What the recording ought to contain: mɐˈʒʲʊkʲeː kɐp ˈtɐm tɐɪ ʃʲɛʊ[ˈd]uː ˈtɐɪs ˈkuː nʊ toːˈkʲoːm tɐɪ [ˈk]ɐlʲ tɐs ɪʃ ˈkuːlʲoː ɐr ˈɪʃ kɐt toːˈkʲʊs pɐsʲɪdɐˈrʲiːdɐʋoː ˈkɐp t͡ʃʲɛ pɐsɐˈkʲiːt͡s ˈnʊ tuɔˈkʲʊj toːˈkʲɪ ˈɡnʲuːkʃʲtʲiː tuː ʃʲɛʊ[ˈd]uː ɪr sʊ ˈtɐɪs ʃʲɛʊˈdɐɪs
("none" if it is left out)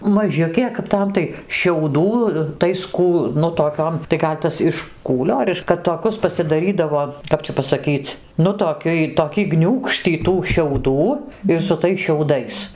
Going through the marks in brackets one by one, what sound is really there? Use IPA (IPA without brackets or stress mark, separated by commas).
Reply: d, ɡ, d